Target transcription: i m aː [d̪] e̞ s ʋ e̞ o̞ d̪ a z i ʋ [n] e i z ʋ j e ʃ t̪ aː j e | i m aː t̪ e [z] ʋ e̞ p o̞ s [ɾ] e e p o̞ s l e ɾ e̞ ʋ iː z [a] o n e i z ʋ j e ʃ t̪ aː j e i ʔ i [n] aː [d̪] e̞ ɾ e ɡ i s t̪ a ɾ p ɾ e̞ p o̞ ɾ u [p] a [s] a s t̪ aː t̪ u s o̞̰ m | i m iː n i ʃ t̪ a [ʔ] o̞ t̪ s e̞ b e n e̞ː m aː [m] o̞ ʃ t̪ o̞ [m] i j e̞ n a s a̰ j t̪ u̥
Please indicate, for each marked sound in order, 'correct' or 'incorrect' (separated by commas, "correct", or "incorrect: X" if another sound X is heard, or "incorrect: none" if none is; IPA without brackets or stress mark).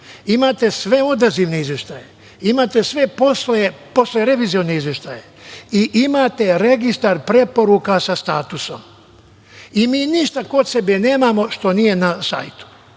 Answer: incorrect: t̪, correct, incorrect: s, incorrect: l, incorrect: i, incorrect: m, incorrect: t̪, incorrect: k, correct, incorrect: k, correct, incorrect: n